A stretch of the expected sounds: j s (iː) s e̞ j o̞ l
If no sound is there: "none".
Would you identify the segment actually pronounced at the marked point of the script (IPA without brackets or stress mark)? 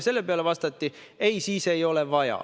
iː